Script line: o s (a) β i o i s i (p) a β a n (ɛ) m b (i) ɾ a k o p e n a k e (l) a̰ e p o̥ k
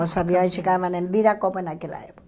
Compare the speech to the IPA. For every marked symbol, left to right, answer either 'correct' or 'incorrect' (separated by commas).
correct, incorrect, incorrect, correct, correct